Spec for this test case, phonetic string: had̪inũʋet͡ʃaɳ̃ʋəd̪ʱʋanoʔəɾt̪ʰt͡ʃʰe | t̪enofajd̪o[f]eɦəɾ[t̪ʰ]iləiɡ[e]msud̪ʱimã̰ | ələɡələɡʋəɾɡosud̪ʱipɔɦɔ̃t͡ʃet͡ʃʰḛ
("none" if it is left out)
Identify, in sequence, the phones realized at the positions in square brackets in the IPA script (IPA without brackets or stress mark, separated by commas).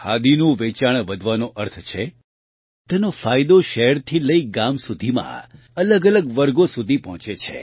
ʃ, t̪ʰ, a